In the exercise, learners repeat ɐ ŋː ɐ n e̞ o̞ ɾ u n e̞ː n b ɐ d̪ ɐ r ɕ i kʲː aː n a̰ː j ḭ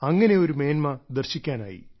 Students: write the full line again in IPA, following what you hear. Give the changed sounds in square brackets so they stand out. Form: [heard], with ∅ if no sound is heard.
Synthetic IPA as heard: ɐ ŋː ɐ n e̞ o̞ ɾ u [m] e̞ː n [m] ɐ d̪ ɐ r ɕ i kʲː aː n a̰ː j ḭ